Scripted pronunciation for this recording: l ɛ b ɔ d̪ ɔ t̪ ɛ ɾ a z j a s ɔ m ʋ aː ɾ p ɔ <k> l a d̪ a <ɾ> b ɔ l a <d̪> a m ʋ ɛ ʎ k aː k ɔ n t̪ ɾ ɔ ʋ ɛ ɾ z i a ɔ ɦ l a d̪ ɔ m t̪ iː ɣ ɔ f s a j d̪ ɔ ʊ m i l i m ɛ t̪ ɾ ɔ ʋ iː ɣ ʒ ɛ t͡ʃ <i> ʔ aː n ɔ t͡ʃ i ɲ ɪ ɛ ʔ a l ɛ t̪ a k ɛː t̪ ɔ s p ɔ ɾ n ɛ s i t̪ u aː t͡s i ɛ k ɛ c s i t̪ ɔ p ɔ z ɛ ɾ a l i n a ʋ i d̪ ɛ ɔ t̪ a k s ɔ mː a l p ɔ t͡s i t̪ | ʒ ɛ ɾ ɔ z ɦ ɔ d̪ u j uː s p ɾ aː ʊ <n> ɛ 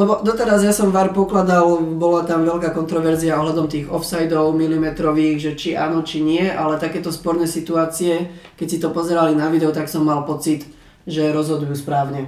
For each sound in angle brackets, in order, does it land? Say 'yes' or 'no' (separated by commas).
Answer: yes, no, no, yes, no